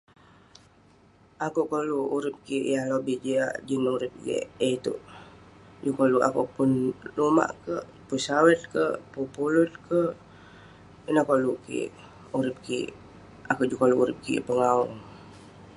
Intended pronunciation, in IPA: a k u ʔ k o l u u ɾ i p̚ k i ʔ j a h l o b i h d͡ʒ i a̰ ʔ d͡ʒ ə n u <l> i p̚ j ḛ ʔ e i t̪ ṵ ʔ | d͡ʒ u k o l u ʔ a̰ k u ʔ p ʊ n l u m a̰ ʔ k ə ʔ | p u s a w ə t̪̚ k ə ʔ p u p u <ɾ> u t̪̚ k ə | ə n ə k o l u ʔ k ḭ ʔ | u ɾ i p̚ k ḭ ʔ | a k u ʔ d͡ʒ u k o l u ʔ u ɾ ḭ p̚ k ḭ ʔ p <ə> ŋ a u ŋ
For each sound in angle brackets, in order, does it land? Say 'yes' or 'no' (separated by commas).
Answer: no, no, yes